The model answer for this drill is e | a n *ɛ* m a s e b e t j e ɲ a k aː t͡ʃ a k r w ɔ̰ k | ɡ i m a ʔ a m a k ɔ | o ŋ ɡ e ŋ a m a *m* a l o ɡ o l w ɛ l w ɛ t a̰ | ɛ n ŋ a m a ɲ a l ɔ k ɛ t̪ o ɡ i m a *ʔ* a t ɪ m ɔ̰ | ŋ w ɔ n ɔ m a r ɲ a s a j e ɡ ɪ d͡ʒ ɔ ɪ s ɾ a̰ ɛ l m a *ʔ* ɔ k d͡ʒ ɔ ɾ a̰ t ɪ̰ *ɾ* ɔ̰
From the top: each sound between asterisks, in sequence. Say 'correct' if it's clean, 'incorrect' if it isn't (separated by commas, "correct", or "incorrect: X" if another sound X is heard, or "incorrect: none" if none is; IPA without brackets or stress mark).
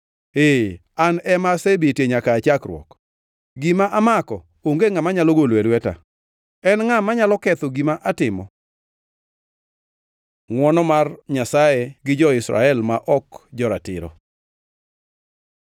correct, incorrect: ɲ, correct, correct, correct